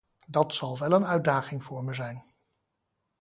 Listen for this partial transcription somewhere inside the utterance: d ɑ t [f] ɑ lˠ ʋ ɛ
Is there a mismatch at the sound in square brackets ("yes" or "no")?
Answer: yes